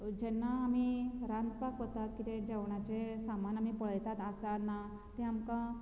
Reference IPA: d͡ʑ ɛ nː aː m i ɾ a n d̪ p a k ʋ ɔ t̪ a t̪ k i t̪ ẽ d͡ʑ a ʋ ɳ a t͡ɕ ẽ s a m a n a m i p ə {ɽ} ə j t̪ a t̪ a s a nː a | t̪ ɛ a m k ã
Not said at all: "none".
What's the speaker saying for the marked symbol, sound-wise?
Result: ɭ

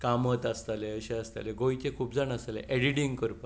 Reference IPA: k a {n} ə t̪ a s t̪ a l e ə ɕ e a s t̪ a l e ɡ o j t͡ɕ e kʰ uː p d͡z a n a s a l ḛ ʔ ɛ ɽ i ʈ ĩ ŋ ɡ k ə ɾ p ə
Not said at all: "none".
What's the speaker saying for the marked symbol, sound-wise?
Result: m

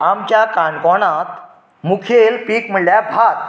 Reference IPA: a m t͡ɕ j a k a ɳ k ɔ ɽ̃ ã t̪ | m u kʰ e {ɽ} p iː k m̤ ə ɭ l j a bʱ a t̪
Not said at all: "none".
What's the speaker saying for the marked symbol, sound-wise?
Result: l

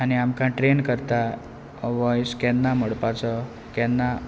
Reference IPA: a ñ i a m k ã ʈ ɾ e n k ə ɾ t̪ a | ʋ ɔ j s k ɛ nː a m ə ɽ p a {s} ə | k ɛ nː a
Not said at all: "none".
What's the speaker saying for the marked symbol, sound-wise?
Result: t͡s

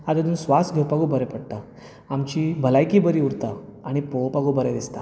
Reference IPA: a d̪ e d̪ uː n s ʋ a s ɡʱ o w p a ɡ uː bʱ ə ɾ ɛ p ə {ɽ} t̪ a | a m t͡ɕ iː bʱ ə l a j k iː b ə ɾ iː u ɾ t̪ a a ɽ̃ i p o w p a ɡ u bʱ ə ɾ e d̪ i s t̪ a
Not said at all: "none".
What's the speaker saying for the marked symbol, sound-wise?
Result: ɽ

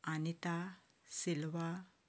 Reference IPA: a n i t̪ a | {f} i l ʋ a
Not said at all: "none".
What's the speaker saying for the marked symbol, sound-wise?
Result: s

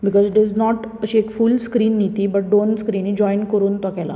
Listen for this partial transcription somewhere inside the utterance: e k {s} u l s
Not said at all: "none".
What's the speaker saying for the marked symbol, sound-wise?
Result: f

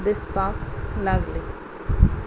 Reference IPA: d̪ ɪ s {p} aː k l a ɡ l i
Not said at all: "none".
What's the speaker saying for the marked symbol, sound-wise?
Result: p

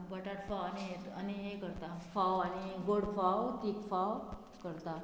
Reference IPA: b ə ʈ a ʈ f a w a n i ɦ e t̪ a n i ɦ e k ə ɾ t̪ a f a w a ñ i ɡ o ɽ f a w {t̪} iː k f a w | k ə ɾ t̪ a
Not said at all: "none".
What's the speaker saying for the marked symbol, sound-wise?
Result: t̪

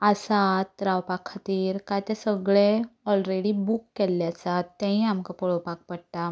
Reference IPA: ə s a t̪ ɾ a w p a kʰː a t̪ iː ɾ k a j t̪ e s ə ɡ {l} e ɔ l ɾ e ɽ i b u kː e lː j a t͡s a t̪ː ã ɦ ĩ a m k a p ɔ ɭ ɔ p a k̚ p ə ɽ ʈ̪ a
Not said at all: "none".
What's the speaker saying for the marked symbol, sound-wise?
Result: ɭ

